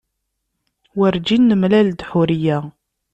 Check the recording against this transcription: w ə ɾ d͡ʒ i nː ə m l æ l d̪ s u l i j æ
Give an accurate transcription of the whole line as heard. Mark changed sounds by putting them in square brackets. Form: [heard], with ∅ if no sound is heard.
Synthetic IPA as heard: w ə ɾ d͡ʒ i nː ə m l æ l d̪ [ħ] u [ɾ] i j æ